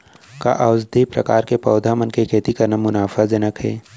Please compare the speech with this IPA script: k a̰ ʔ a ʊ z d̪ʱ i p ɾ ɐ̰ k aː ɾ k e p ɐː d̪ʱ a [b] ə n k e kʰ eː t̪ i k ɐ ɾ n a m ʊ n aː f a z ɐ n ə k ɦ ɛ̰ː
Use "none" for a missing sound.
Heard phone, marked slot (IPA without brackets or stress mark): m